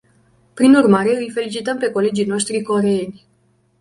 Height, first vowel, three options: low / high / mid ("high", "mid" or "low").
high